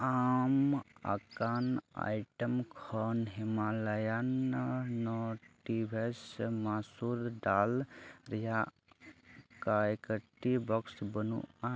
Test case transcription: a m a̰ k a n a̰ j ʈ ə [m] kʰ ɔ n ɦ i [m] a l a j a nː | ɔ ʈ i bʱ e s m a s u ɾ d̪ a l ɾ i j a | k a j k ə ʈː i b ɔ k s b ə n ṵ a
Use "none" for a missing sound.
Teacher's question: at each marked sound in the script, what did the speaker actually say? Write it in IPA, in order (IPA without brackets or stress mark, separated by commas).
m, m